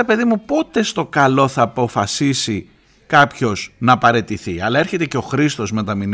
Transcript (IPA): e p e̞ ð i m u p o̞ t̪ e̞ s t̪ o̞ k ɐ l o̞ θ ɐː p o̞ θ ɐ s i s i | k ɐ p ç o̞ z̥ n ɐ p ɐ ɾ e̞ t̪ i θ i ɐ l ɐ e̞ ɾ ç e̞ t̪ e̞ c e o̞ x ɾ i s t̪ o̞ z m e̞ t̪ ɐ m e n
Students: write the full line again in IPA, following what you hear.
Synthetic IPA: e p e̞ ð i m u p o̞ t̪ e̞ s t̪ o̞ k ɐ l o̞ θ ɐː p o̞ f ɐ s i s i | k ɐ p ç o̞ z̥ n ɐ p ɐ ɾ e̞ t̪ i θ i ɐ l ɐ e̞ ɾ ç e̞ t̪ e̞ c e o̞ x ɾ i s t̪ o̞ z m e̞ t̪ ɐ m i n